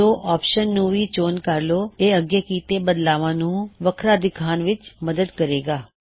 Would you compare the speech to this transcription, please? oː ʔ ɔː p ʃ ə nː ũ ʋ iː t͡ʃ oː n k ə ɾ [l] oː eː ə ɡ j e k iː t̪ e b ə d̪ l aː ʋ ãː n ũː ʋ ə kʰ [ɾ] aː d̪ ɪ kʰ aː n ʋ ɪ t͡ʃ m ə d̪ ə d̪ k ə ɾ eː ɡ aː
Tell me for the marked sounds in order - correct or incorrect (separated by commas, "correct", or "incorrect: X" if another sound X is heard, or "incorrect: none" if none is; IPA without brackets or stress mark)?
correct, correct